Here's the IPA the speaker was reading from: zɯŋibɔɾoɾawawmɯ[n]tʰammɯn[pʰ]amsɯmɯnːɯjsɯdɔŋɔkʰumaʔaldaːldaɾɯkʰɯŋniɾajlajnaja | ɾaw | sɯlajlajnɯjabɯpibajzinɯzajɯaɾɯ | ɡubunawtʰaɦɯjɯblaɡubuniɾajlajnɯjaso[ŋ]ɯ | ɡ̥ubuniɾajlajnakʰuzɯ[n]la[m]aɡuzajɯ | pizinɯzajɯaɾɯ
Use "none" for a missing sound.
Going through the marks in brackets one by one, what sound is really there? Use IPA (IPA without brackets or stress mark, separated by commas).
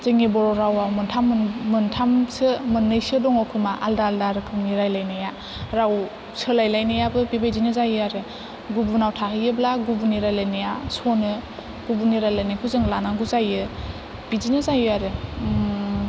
n, tʰ, n, ŋ, n